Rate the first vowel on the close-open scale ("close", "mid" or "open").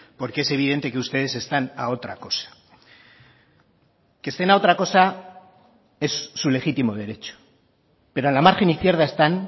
mid